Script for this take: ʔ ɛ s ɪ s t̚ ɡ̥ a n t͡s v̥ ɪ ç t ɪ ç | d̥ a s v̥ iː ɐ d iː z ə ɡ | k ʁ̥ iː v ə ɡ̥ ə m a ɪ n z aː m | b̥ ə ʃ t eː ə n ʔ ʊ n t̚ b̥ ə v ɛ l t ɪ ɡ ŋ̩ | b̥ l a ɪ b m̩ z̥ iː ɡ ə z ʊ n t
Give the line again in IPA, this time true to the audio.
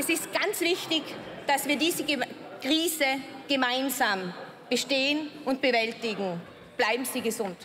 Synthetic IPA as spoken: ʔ ɛ s ɪ s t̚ ɡ̥ a n t͡s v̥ ɪ ç t ɪ ç | d̥ a s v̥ iː ɐ d iː z ə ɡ | k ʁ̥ iː z ə ɡ̥ ə m a ɪ n z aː m | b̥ ə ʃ t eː ə n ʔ ʊ n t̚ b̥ ə v ɛ l t ɪ ɡ ŋ̩ | b̥ l a ɪ b m̩ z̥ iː ɡ ə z ʊ n t